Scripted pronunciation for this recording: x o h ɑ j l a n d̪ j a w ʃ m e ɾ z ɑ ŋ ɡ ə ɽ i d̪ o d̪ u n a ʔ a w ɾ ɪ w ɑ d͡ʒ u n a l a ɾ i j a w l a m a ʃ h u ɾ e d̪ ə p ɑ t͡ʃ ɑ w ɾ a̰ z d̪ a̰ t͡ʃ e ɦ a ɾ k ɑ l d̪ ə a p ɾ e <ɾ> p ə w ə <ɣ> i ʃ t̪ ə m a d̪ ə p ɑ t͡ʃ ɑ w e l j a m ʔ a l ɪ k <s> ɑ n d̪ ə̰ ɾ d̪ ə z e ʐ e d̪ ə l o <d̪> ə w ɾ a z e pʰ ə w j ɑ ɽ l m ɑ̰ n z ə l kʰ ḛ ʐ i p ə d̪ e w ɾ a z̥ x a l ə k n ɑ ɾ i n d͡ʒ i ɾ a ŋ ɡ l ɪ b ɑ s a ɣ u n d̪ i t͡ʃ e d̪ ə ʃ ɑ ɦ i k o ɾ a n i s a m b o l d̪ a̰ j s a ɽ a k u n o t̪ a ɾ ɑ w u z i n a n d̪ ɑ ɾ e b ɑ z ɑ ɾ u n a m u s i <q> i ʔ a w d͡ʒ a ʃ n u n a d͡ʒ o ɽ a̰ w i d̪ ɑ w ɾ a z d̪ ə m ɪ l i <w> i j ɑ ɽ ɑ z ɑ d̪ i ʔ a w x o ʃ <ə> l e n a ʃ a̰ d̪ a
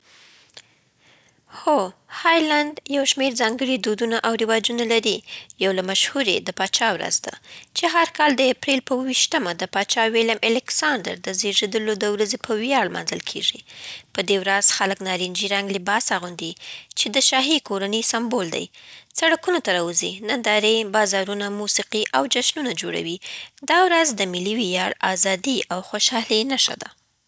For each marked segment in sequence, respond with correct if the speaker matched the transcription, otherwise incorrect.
incorrect: l, incorrect: w, correct, correct, correct, correct, incorrect: ɑ

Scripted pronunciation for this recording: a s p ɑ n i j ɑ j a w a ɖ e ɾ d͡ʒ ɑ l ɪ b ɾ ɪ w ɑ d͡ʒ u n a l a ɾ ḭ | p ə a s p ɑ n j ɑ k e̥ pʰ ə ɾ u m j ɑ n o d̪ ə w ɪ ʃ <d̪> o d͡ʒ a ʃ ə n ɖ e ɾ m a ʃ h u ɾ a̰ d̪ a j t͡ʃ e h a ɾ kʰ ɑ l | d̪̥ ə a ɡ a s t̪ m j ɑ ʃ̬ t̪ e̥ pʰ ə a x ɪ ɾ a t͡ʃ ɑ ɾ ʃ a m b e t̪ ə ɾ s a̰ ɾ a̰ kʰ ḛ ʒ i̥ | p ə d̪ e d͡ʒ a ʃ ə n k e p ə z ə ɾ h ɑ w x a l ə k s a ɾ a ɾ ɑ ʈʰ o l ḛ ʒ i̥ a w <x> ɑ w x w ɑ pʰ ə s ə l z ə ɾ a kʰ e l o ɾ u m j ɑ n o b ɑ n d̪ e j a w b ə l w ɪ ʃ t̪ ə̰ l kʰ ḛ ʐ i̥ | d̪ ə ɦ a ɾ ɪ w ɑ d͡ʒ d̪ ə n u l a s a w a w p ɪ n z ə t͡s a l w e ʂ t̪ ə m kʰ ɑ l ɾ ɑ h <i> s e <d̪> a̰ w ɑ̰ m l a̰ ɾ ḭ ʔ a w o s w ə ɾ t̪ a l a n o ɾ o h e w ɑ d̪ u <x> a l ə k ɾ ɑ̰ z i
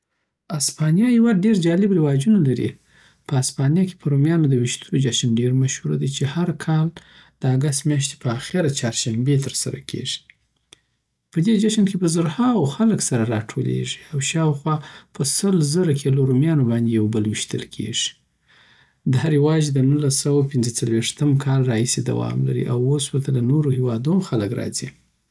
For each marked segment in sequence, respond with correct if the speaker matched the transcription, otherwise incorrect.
incorrect: t̪, incorrect: ʃ, correct, correct, correct

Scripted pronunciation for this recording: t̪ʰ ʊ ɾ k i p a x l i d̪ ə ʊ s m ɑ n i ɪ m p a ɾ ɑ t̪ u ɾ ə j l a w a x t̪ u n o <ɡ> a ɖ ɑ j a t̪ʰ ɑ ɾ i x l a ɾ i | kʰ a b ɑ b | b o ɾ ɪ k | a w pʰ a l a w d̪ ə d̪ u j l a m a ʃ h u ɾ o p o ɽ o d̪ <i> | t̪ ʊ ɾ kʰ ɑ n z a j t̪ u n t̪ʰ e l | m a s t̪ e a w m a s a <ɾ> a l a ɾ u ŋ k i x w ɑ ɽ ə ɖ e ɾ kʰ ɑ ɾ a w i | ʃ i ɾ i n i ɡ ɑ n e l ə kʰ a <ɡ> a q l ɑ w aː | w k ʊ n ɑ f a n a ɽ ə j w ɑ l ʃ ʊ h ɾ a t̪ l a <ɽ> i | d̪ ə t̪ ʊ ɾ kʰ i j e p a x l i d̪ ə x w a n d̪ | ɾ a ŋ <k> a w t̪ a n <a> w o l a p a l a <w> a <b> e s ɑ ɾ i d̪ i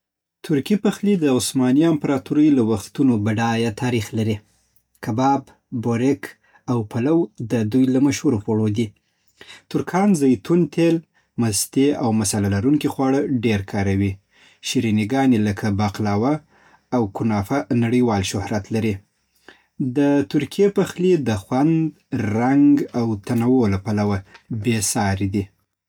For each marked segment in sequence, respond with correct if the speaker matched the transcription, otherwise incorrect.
incorrect: b, correct, incorrect: l, incorrect: b, incorrect: ɾ, incorrect: ɡ, correct, correct, correct

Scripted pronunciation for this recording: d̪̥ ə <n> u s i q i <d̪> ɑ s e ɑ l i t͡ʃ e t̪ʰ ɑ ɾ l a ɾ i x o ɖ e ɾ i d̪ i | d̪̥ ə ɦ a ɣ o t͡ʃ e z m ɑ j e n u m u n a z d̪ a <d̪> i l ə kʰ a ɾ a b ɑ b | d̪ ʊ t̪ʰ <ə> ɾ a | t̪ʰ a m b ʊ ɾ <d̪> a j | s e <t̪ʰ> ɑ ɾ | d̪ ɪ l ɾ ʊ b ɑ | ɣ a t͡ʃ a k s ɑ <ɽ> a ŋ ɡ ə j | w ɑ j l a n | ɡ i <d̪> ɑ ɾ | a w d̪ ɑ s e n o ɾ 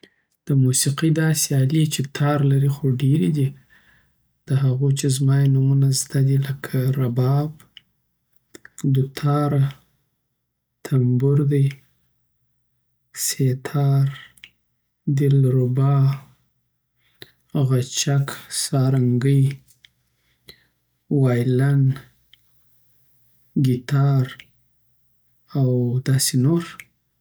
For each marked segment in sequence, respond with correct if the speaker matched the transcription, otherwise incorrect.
incorrect: m, correct, correct, incorrect: ɑ, correct, correct, incorrect: ɾ, incorrect: t̪

